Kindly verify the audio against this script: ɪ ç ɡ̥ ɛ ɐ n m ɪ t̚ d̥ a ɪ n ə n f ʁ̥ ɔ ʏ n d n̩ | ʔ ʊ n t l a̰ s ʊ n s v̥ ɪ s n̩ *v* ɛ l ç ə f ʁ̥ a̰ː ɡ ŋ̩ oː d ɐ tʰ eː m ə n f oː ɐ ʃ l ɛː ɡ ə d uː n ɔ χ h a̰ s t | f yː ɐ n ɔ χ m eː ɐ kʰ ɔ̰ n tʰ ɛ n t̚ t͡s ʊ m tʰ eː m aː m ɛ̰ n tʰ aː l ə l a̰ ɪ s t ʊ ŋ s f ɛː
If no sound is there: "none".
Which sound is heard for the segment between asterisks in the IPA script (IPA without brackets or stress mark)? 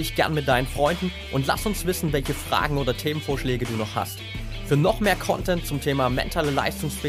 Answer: v